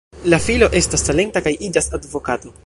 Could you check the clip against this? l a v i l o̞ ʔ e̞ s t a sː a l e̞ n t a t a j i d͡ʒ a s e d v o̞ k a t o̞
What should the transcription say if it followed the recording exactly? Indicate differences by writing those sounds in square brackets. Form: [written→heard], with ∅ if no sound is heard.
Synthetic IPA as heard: l a [v→f] i l o̞ ʔ e̞ s t a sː a l e̞ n t a [t→k] a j i d͡ʒ a s [e→a] d v o̞ k a t o̞